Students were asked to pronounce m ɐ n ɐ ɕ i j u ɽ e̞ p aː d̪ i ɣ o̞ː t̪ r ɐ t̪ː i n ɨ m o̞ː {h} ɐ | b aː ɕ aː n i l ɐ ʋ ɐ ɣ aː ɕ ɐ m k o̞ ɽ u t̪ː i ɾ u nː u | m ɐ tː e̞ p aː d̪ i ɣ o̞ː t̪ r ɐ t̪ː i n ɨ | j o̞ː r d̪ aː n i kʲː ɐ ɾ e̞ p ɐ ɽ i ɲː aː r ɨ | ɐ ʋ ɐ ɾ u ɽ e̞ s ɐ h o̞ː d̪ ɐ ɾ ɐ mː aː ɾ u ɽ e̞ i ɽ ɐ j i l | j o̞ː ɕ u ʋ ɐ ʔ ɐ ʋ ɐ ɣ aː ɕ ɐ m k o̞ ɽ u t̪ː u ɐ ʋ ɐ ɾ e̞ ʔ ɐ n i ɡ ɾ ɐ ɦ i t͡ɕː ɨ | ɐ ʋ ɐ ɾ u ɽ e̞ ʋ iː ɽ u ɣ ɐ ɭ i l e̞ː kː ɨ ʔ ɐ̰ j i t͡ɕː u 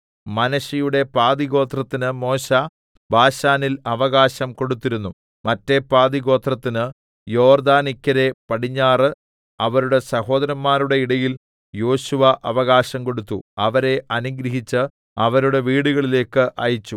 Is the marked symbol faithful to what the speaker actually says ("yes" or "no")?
no